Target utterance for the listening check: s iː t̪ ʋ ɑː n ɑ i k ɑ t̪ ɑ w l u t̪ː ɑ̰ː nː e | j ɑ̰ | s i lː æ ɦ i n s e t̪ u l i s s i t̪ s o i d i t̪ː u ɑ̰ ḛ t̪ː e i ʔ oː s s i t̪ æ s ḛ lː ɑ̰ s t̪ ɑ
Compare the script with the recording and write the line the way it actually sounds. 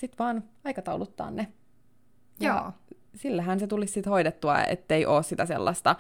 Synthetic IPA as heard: s i t̪ ʋ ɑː n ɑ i k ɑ t̪ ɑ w l u t̪ː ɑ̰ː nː e | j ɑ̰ | s i lː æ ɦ æ n s e t̪ u l i s s i t̪ h o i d e t̪ː u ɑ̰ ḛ t̪ː e i ʔ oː s s i t̪ æ s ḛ lː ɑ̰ s t̪ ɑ